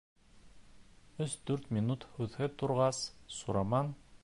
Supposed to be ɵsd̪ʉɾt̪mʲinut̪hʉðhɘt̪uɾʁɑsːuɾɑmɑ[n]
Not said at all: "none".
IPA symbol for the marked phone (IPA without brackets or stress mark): n